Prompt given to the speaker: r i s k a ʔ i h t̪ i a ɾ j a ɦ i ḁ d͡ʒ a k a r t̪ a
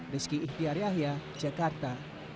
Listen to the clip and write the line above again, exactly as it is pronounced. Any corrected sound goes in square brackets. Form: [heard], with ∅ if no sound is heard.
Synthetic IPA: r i s k [i] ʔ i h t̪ i a ɾ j a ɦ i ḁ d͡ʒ a k a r t̪ a